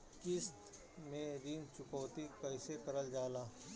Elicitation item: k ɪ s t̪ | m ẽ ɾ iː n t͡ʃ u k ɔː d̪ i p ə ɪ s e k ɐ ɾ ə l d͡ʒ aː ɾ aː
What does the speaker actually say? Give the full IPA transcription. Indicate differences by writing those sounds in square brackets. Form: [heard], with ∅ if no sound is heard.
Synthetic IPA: k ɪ s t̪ | m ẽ ɾ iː n t͡ʃ [ʊ] k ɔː [t̪] i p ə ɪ s e k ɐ ɾ ə l d͡ʒ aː [l] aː

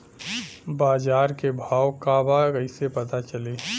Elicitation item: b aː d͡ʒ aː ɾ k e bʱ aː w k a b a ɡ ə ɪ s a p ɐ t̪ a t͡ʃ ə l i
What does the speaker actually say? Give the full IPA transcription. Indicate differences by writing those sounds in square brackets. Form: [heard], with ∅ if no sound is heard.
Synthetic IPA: b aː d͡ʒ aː ɾ k e bʱ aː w k a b a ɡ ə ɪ s [e] p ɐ t̪ a t͡ʃ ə l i

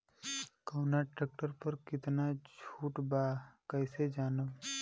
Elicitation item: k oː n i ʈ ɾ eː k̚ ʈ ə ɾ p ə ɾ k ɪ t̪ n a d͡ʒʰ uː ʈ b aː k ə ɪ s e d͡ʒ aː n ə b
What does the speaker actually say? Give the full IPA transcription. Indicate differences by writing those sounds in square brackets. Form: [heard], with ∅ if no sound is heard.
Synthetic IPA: k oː n [a] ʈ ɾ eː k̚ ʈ ə ɾ p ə ɾ k ɪ t̪ n a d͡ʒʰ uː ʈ b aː k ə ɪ s e d͡ʒ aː n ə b

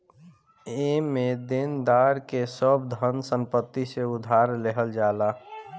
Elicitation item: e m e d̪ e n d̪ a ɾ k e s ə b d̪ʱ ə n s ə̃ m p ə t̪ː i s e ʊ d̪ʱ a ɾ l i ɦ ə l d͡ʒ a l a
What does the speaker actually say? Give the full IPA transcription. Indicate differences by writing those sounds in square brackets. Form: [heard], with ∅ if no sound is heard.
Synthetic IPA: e m e d̪ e n d̪ a ɾ k e s ə b d̪ʱ ə n s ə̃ m p ə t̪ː i s e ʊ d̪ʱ a ɾ l [e] ɦ ə l d͡ʒ a l a

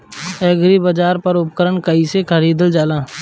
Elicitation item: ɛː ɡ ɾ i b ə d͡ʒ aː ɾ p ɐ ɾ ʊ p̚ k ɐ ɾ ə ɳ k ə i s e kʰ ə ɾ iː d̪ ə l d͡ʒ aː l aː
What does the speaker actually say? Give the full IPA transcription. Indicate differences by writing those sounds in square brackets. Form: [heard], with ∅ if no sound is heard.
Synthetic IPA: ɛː ɡ ɾ i b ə d͡ʒ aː ɾ p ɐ ɾ ʊ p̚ k [ə] ɾ ə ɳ k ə i s e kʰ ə ɾ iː d̪ ə l d͡ʒ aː l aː

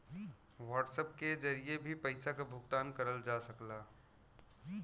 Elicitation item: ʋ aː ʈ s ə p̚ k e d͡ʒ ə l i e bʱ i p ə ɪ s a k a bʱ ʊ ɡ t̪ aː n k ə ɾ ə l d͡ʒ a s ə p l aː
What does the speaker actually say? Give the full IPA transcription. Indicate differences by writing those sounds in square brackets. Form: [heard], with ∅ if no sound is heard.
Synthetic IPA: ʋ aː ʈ s ə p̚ k e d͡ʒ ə [ɾ] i e bʱ i p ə ɪ s a k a bʱ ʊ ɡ t̪ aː n k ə ɾ ə l d͡ʒ a s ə [k] l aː

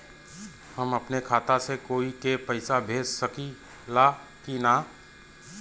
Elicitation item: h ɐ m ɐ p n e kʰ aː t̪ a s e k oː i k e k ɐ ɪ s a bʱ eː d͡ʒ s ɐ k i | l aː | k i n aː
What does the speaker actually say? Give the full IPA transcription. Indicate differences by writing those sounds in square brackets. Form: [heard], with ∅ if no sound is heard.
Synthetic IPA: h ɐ m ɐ p n e kʰ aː t̪ a s e k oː i k e [p] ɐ ɪ s a bʱ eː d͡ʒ s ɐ k i | l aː | k i n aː

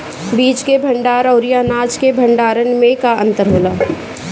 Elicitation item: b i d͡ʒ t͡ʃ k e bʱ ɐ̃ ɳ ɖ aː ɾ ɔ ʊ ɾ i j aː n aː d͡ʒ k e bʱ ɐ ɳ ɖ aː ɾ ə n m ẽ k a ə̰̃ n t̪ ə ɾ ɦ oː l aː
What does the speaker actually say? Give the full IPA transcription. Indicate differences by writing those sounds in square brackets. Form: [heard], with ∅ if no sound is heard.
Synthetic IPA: b [iː] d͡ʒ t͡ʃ k e bʱ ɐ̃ ɳ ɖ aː ɾ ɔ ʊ ɾ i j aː n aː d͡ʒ k e bʱ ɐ ɳ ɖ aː ɾ ə n m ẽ k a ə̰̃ n t̪ ə ɾ ɦ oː l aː

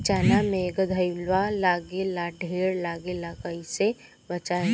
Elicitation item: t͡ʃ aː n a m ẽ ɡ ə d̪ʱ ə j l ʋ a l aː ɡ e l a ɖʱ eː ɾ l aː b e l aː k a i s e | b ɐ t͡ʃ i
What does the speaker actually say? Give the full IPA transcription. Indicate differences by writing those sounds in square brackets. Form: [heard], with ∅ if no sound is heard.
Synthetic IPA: t͡ʃ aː n a m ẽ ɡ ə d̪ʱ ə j l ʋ a l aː ɡ e l a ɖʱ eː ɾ l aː [ɡ] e l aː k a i s e | b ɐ t͡ʃ [a]

